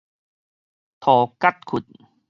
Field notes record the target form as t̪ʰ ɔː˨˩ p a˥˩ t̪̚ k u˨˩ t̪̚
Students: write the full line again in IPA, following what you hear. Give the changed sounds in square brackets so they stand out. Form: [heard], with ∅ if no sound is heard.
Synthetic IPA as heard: t̪ʰ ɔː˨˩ [k] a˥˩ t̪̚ [kʰ] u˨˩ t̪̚